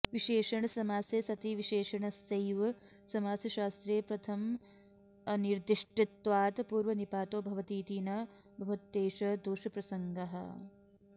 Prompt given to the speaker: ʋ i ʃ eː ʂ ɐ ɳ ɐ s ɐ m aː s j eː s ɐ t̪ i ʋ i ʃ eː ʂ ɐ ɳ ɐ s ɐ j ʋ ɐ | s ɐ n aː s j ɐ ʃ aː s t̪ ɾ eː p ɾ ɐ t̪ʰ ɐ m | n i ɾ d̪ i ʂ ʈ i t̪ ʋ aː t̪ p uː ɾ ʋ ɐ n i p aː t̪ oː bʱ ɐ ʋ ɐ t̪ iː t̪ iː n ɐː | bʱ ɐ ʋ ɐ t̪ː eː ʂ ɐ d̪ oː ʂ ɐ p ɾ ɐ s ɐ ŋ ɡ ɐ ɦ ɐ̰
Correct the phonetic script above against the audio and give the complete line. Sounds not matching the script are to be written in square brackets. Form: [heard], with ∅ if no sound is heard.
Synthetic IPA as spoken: ʋ i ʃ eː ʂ ɐ ɳ ɐ s ɐ m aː s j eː s ɐ t̪ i ʋ i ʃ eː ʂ ɐ ɳ ɐ s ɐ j ʋ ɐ | s ɐ [m] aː s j ɐ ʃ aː s t̪ ɾ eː p ɾ ɐ t̪ʰ ɐ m | n i ɾ d̪ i ʂ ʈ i t̪ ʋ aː t̪ p uː ɾ ʋ ɐ n i p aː t̪ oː bʱ ɐ ʋ ɐ t̪ iː t̪ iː n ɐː | bʱ ɐ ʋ ɐ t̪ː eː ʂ ɐ d̪ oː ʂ ɐ p ɾ ɐ s ɐ ŋ ɡ ɐ ɦ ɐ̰